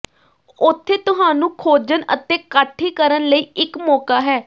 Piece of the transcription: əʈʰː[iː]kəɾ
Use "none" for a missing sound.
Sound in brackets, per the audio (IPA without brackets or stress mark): iː